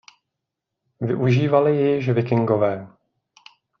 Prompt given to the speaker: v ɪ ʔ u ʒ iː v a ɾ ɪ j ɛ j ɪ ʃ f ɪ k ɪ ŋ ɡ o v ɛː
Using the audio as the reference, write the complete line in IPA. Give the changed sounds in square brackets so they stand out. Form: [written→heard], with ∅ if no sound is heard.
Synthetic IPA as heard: v ɪ ʔ u ʒ iː v a [ɾ→l] ɪ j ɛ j ɪ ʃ [f→v] ɪ k ɪ ŋ ɡ o v ɛː